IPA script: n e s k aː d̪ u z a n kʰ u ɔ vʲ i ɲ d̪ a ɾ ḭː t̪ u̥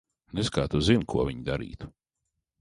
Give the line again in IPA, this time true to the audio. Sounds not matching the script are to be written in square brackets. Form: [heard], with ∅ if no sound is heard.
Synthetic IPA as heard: n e s k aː [t̪] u z [i] n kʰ u ɔ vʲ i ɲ d̪ a ɾ ḭː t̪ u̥